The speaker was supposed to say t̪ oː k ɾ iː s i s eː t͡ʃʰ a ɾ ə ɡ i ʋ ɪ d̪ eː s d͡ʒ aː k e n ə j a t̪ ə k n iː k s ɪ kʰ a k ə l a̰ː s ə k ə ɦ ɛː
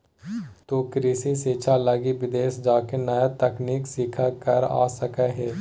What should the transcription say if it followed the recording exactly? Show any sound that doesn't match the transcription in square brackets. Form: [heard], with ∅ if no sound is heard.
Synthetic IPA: t̪ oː k ɾ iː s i s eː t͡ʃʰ a [l] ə ɡ i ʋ ɪ d̪ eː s d͡ʒ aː k e n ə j a t̪ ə k n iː k s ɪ kʰ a k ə [ɾ] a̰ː s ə k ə ɦ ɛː